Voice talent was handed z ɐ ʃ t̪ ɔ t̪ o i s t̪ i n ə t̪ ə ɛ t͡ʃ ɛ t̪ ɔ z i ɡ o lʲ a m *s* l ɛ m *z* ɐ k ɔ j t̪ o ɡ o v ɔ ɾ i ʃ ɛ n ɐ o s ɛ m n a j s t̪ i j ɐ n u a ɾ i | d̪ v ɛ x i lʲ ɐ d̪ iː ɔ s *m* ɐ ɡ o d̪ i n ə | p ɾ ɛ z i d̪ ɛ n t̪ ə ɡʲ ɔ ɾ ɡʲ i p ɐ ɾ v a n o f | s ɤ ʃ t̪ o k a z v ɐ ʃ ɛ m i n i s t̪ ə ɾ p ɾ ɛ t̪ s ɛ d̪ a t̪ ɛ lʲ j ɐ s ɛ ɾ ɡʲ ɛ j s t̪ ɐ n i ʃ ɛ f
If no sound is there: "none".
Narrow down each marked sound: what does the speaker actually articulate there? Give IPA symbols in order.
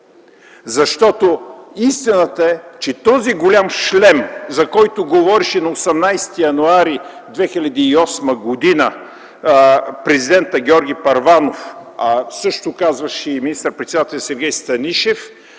ʃ, z, m

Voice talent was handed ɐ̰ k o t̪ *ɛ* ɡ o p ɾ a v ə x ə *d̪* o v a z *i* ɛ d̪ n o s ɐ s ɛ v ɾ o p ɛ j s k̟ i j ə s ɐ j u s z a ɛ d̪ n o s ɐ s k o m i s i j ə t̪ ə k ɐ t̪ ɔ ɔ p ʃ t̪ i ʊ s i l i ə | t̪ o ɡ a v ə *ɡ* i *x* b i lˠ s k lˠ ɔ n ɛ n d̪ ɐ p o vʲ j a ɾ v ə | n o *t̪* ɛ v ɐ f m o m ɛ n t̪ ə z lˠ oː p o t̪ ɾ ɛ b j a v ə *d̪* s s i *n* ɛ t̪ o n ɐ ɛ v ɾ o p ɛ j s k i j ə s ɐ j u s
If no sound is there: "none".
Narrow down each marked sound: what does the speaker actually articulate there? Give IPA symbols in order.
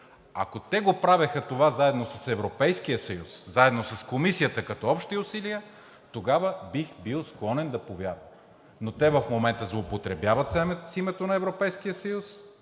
ɛ, t̪, a, b, x, t̪, t̪, m

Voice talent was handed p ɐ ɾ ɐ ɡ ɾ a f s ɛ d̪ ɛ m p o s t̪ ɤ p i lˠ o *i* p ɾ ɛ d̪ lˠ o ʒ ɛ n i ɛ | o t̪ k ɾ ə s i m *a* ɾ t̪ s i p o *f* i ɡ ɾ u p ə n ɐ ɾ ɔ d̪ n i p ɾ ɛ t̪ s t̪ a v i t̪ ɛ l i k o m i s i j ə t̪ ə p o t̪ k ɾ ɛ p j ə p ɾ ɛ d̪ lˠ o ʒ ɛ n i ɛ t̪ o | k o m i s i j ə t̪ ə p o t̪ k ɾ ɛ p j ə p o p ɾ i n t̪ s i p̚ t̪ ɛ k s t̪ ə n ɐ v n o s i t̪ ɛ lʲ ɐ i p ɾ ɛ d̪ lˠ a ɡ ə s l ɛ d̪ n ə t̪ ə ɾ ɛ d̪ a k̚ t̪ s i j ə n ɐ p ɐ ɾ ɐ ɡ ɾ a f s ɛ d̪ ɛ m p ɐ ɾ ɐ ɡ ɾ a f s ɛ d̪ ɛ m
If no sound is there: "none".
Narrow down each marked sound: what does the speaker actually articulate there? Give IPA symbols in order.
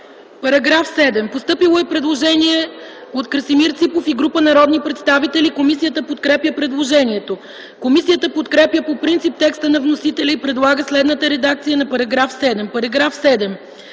ɛ, i, f

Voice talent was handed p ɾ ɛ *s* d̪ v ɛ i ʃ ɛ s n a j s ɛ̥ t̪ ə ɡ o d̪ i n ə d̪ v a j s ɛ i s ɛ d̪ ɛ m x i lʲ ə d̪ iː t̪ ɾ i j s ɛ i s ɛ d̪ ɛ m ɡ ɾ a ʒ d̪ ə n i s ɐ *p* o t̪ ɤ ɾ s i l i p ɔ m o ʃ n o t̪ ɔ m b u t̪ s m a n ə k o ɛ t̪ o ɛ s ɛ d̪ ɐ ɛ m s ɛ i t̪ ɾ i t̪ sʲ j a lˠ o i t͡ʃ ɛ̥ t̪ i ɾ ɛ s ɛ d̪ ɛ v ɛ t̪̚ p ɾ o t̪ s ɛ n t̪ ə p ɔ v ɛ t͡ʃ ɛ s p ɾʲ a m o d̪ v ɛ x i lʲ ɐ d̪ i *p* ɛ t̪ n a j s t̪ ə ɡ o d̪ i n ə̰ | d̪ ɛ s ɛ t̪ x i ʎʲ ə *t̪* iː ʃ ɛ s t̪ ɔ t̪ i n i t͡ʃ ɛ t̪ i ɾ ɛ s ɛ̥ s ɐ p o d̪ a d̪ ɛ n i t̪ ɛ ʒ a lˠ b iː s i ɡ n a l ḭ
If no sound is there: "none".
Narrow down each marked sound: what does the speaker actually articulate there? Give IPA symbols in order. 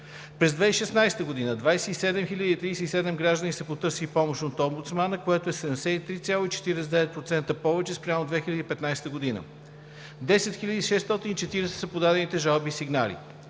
z, p, p, d̪

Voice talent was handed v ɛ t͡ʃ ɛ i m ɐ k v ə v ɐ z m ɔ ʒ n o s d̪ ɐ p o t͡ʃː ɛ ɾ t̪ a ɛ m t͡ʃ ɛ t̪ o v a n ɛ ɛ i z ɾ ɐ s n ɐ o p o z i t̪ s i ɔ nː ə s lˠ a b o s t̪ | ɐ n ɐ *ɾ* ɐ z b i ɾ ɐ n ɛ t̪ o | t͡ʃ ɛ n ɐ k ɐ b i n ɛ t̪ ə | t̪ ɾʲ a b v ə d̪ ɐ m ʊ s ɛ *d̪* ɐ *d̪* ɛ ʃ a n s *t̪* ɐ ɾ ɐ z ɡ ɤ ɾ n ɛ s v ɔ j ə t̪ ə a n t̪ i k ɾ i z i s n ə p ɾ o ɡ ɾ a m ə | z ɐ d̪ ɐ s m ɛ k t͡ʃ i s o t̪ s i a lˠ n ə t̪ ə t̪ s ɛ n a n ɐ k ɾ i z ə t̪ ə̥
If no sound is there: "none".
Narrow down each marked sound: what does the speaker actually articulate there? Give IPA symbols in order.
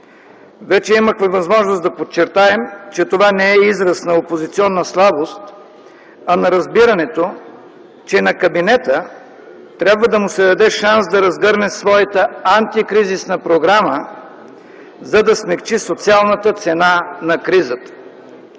ɾ, d̪, d̪, d̪

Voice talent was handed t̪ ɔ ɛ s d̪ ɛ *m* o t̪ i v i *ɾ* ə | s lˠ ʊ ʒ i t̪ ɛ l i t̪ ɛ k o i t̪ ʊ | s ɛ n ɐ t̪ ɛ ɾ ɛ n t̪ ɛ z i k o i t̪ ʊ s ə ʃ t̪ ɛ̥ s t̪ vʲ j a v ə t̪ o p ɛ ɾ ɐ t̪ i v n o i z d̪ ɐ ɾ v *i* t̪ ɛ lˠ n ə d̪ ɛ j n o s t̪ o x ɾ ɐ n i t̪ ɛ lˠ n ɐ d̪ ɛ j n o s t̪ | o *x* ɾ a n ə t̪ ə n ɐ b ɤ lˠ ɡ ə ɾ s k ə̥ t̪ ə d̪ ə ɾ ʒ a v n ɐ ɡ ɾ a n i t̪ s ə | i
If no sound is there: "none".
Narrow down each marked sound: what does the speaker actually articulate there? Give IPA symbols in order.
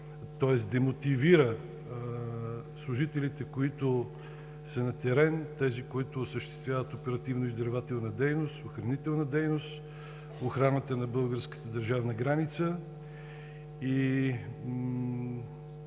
m, ɾ, a, x

